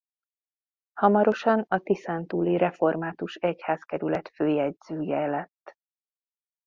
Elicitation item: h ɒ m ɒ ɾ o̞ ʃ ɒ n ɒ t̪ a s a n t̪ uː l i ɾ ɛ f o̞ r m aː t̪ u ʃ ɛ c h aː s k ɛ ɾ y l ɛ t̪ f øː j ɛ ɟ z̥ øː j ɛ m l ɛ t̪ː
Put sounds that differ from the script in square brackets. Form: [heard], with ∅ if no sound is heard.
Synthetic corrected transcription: h ɒ m ɒ ɾ o̞ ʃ ɒ n ɒ t̪ [i] s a n t̪ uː l i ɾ ɛ f o̞ r m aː t̪ u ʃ ɛ c h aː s k ɛ ɾ y l ɛ t̪ f øː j ɛ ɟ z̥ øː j ɛ [∅] l ɛ t̪ː